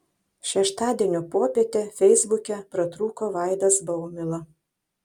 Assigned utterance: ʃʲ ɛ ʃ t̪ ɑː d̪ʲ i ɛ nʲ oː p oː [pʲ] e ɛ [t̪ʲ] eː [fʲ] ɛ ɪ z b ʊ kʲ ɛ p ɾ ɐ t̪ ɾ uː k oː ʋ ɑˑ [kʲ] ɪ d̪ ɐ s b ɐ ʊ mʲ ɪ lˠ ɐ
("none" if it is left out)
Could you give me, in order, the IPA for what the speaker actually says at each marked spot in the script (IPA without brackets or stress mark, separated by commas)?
pʲ, t̪ʲ, fʲ, none